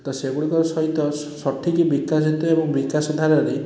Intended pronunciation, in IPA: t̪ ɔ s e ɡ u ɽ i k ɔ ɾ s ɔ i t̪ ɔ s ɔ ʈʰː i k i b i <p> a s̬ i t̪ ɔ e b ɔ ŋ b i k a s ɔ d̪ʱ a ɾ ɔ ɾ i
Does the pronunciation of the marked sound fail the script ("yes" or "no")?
yes